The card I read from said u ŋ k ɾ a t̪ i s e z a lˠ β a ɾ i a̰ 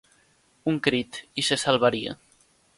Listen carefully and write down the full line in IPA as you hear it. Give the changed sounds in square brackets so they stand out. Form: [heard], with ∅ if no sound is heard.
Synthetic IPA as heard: u ŋ k ɾ [i] t̪ i s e [s] a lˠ β a ɾ i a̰